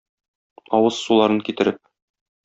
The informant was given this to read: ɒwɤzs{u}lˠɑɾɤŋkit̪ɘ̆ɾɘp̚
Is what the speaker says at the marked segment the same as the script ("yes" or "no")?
yes